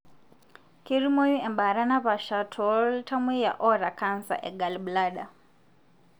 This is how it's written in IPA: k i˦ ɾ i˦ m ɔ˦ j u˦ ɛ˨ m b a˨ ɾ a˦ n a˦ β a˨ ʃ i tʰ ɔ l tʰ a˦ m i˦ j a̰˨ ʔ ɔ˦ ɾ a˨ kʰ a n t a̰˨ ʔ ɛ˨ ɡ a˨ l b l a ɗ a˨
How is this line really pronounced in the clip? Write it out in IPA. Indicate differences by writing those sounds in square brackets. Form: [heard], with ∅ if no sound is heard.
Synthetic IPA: k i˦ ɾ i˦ m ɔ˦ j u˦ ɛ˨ m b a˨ ɾ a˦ n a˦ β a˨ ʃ [a] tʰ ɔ l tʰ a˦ m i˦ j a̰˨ ʔ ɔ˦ ɾ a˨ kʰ a n [s] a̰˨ ʔ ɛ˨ ɡ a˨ l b l a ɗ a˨